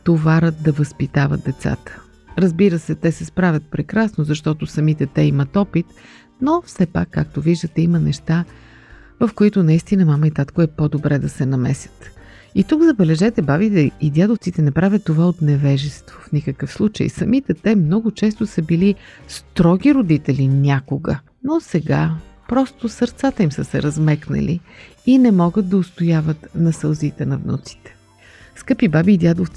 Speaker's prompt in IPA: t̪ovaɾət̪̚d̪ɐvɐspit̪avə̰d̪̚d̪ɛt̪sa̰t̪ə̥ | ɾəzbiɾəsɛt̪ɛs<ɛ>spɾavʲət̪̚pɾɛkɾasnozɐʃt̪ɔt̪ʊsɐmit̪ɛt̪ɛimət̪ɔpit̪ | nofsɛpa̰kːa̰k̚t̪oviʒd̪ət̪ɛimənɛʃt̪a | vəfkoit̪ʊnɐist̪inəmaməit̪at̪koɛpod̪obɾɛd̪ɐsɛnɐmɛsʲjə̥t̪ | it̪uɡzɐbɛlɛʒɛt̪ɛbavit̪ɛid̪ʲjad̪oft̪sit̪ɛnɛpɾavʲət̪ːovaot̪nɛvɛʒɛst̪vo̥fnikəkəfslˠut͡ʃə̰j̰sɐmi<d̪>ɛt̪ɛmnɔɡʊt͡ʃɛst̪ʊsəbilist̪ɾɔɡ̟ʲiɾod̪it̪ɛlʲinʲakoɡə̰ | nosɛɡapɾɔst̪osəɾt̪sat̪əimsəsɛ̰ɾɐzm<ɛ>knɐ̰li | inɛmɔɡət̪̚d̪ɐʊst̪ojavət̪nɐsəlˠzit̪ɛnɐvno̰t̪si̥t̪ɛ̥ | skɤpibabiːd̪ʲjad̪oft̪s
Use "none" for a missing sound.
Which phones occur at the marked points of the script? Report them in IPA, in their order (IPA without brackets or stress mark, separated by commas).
ɛ, t̪, ɛ